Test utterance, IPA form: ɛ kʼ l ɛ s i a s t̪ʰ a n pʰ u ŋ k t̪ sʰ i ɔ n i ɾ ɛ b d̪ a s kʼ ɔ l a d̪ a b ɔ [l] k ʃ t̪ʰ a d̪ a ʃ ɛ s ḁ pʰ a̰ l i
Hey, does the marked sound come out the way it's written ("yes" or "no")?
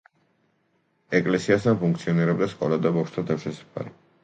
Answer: no